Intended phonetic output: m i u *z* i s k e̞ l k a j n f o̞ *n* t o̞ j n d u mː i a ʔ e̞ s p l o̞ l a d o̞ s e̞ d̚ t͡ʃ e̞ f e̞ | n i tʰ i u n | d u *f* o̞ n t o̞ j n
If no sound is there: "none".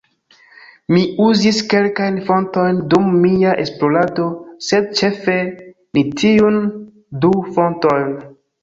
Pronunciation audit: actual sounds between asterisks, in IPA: z, n, f

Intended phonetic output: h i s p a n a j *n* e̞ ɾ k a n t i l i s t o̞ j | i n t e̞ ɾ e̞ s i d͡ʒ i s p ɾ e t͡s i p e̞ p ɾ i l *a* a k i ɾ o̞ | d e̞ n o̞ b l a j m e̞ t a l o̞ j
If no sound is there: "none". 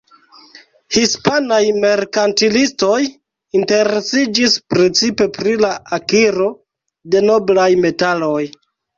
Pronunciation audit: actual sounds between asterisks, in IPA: m, a

